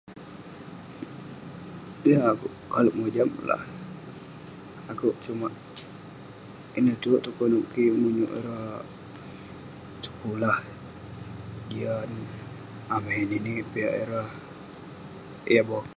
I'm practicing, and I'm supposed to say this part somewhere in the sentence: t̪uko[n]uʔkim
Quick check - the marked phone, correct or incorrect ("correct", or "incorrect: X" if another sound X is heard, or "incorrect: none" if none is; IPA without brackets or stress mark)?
correct